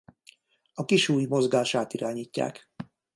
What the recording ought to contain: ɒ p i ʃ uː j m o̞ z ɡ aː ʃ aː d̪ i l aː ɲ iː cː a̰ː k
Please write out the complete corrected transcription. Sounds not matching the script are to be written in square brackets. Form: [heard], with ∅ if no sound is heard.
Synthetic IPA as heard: ɒ [k] i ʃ uː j m o̞ z ɡ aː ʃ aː [t̪] i [ɾ] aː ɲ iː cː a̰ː k